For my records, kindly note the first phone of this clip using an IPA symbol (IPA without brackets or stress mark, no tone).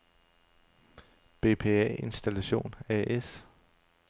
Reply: b̥